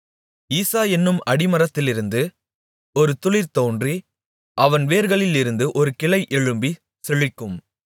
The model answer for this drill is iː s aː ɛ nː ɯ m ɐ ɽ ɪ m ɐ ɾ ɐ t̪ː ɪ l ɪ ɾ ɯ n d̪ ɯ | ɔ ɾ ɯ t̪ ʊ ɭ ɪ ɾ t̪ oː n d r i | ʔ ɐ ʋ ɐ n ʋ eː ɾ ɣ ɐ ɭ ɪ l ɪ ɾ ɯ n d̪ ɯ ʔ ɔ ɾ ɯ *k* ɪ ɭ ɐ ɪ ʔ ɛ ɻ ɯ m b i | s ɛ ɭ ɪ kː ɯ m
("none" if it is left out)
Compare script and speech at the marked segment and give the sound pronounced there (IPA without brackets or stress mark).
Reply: k